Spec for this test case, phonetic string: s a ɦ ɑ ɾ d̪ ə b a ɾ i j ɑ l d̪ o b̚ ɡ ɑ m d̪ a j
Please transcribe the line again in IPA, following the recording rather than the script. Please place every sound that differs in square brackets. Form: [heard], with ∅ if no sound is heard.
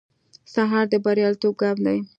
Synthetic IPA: s a ɦ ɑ ɾ d̪ ə b a ɾ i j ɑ l [t̪] o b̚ ɡ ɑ m d̪ a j